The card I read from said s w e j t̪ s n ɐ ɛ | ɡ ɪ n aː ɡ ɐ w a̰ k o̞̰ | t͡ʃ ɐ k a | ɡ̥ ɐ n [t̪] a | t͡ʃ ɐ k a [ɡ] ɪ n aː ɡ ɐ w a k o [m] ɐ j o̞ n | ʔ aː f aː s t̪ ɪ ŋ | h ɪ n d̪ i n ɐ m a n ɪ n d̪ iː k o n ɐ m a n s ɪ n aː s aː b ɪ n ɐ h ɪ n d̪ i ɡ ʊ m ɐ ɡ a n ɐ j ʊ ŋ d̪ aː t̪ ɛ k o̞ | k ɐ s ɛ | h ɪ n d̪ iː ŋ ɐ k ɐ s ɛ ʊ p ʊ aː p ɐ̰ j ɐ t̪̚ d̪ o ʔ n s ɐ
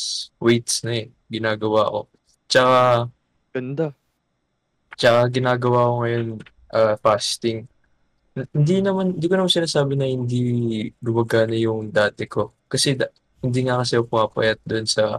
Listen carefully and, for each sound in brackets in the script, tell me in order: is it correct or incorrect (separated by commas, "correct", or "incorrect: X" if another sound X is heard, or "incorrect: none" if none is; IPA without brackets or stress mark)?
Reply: incorrect: d̪, correct, incorrect: ŋ